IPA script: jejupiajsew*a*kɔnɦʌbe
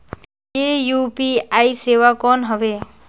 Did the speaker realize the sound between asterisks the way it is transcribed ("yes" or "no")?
yes